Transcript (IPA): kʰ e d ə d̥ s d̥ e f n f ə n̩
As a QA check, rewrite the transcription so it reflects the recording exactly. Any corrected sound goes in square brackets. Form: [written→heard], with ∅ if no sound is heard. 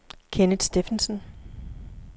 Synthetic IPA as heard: kʰ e [d→n] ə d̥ s d̥ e f n [f→s] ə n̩

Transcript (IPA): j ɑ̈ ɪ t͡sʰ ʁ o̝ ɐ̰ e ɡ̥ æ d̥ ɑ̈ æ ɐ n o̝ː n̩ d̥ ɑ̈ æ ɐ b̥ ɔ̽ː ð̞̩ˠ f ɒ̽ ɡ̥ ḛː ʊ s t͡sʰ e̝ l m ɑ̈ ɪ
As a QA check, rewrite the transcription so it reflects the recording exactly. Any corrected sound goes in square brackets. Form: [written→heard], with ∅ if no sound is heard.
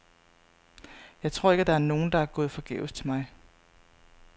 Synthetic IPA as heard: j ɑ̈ ɪ t͡sʰ ʁ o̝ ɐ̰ e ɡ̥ æ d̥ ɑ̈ æ ɐ n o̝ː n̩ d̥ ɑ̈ æ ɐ [b̥→ɡ̥] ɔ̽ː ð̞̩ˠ f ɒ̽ ɡ̥ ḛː ʊ s t͡sʰ e̝ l m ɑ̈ ɪ

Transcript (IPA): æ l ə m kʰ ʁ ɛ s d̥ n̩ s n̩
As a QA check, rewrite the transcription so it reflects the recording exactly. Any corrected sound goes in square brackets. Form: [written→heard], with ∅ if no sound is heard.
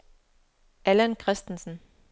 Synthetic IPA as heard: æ l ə [m→n] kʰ ʁ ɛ s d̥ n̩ s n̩

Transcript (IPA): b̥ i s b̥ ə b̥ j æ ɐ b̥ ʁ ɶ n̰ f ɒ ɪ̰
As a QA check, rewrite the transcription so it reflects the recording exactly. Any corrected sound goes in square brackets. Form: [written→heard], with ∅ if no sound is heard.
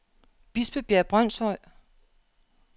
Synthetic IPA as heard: b̥ i s b̥ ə b̥ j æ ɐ b̥ ʁ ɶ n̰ [f→s] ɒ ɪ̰

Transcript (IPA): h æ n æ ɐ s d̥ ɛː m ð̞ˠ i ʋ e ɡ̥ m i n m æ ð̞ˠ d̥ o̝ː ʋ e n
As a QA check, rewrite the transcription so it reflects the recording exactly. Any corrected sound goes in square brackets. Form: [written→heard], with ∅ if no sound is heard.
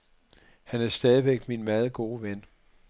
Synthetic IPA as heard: h æ n æ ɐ s d̥ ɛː [m→∅] ð̞ˠ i ʋ e ɡ̥ m i n m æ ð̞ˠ [d̥→ɡ̥] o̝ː ʋ e n

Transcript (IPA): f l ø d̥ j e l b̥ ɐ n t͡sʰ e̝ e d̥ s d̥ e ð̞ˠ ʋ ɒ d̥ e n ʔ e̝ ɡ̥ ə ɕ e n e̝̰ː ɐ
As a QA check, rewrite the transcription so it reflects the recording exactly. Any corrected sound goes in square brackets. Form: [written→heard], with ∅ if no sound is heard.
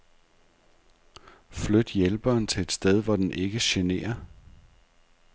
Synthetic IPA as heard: f l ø d̥ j e l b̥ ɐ n t͡sʰ e̝ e d̥ s d̥ e ð̞ˠ ʋ ɒ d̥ e n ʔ e̝ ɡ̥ ə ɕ e n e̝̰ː ɐ

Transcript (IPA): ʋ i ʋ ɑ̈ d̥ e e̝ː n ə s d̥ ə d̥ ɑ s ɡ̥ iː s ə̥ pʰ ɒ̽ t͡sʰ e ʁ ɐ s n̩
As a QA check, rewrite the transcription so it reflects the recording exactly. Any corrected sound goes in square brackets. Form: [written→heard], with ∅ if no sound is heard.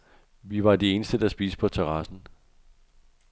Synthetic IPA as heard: ʋ i ʋ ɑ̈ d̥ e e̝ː n ə s d̥ ə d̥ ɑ s [ɡ̥→b̥] iː s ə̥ pʰ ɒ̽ t͡sʰ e ʁ [ɐ→ɑ] s n̩

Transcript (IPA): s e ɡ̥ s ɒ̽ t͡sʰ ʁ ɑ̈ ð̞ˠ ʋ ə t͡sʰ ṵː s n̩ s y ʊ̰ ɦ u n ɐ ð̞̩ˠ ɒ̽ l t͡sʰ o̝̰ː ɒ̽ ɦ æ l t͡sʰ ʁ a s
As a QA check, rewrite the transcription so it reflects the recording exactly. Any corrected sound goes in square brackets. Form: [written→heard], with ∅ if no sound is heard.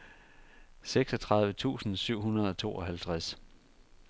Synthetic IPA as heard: s e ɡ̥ s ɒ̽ t͡sʰ ʁ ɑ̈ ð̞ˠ ʋ ə t͡sʰ ṵː s n̩ s y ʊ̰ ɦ u n ɐ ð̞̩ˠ ɒ̽ [l→∅] t͡sʰ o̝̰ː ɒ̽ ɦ æ l t͡sʰ ʁ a s

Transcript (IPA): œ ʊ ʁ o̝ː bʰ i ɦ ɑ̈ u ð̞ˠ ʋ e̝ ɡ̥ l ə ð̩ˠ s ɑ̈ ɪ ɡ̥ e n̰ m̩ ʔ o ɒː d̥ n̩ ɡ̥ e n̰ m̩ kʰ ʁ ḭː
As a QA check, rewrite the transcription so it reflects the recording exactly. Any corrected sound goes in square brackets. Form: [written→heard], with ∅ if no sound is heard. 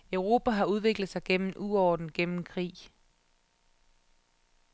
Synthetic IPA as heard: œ ʊ ʁ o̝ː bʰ [i→æ] ɦ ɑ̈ u ð̞ˠ ʋ e̝ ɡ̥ l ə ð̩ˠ s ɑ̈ ɪ ɡ̥ e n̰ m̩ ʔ [o→u] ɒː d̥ n̩ ɡ̥ e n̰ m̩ kʰ ʁ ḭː

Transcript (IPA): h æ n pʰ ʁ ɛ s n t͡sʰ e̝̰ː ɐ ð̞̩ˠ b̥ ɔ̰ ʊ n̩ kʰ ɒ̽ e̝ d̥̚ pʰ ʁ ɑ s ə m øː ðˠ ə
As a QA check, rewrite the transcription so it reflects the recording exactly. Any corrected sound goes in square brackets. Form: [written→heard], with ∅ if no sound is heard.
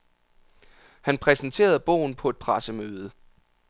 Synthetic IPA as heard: h æ n pʰ ʁ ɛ s n t͡sʰ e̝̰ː ɐ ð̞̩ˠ b̥ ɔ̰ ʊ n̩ [kʰ→pʰ] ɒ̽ e̝ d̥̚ pʰ ʁ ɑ s ə m øː ðˠ ə

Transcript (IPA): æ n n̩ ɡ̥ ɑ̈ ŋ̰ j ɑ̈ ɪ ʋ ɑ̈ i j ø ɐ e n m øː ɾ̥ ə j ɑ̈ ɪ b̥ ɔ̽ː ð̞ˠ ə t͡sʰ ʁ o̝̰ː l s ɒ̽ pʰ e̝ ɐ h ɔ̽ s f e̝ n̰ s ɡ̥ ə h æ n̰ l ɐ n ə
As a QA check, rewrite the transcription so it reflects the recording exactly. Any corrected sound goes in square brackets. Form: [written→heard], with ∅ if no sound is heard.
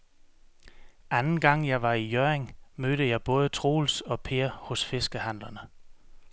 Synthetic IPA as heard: æ n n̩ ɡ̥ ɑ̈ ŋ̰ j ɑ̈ ɪ ʋ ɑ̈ i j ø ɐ e [n→ŋ] m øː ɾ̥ ə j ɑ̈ ɪ b̥ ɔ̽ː ð̞ˠ ə t͡sʰ ʁ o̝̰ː l s ɒ̽ pʰ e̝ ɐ h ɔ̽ s f e̝ [n̰→∅] s ɡ̥ ə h æ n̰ l ɐ n ə

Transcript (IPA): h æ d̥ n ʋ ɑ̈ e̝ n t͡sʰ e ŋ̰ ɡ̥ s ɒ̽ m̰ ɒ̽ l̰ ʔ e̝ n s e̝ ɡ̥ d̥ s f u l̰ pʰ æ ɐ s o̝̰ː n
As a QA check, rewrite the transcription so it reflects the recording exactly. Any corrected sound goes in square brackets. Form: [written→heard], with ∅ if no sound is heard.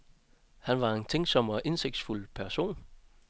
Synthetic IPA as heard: h æ [d̥→∅] n ʋ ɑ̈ e̝ n t͡sʰ e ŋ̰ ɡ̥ s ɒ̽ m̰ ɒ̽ [l̰→∅] ʔ e̝ n s e̝ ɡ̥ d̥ s f u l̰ pʰ æ ɐ s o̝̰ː n

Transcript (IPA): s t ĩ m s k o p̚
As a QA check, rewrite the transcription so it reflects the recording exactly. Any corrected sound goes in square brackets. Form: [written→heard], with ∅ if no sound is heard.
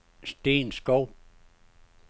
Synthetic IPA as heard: s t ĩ [m→n] s k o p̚

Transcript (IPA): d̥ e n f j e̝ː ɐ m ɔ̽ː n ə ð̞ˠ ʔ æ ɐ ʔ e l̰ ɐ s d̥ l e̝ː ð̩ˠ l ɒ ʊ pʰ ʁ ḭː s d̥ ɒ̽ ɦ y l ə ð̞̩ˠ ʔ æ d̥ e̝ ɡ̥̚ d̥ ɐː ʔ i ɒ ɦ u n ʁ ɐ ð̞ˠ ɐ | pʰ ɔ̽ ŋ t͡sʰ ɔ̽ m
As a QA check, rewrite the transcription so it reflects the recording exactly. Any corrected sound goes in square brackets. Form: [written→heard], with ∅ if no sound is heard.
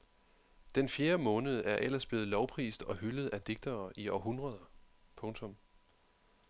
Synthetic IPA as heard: d̥ e n f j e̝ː ɐ m ɔ̽ː n ə ð̞ˠ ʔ æ ɐ ʔ e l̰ ɐ s [d̥→b̥] l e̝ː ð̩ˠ l ɒ ʊ pʰ ʁ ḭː s d̥ ɒ̽ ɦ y l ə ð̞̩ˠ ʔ æ d̥ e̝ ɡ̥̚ d̥ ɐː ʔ i ɒ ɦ u n ʁ ɐ ð̞ˠ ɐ | pʰ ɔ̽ ŋ t͡sʰ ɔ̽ m

